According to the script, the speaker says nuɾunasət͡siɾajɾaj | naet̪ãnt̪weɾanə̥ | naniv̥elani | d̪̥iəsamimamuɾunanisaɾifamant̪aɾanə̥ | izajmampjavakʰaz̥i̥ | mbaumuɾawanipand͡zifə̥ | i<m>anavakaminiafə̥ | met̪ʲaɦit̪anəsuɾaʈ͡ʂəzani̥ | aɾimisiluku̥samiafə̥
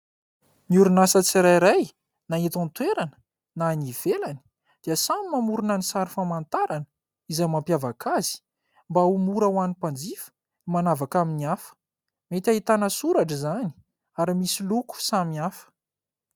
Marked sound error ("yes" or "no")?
no